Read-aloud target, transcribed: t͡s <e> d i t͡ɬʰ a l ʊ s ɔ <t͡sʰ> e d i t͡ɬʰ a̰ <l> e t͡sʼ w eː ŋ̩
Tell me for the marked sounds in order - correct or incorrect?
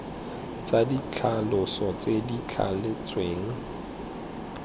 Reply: incorrect: a, incorrect: t͡s, correct

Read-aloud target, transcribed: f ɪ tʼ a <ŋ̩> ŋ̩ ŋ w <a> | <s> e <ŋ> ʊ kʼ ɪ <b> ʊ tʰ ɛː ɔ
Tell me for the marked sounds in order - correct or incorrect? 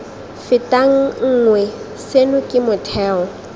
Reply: correct, incorrect: ɛ, correct, incorrect: n, incorrect: m

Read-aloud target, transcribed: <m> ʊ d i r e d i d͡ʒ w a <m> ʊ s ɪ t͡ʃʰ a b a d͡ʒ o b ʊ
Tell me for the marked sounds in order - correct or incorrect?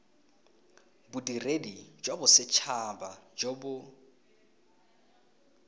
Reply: incorrect: b, incorrect: b

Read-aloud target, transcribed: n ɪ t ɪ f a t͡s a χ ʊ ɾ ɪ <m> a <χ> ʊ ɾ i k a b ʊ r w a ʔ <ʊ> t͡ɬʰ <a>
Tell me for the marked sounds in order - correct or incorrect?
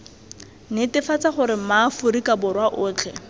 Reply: correct, incorrect: f, incorrect: ʊː, incorrect: ɛ

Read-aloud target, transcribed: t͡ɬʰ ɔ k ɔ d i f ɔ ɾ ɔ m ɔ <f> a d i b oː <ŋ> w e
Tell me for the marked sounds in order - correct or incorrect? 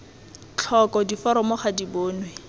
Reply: incorrect: χ, incorrect: n

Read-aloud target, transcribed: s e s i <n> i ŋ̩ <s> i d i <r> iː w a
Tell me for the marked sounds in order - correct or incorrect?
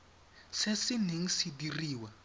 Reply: correct, correct, correct

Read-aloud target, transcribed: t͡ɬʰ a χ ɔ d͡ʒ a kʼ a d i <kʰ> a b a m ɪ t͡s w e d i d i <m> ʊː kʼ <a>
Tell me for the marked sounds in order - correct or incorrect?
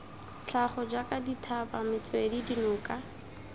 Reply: incorrect: tʰ, incorrect: n, correct

